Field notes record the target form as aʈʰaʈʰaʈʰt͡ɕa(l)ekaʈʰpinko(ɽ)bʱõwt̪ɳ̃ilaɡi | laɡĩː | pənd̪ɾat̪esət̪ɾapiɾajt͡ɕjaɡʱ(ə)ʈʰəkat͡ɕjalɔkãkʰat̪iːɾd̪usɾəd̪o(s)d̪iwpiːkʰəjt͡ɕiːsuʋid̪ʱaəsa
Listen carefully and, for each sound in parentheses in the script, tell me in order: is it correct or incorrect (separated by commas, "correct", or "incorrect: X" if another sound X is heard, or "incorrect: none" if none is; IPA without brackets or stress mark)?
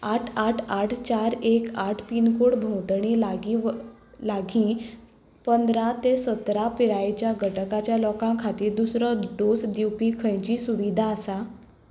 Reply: incorrect: ɾ, correct, correct, correct